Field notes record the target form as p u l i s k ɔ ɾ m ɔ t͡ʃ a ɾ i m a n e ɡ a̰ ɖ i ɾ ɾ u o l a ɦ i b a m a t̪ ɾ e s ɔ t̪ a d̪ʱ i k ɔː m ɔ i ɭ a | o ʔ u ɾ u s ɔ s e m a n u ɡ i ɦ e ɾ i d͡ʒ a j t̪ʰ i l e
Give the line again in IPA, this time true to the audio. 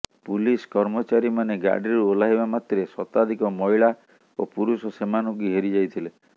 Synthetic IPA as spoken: p u l i s k ɔ ɾ m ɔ t͡ʃ a ɾ i m a n e ɡ a̰ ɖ i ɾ ɾ u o l a ɦ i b a m a t̪ ɾ e s ɔ t̪ a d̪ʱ i k ɔ m ɔ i ɭ a | o p u ɾ u s ɔ s e m a n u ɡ i ɦ e ɾ i d͡ʒ a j t̪ʰ i l e